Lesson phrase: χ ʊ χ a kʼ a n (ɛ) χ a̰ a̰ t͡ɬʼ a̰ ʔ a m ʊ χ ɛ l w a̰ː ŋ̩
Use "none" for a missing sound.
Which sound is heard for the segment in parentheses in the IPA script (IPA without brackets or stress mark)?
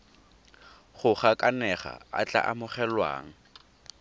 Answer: ɛ